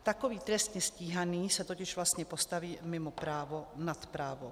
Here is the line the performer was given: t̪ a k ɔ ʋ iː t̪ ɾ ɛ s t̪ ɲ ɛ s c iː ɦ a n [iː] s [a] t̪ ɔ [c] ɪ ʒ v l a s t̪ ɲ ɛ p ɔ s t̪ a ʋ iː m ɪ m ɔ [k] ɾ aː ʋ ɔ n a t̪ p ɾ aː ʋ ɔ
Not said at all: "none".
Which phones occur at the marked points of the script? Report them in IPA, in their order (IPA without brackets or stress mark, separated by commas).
iː, a, c, p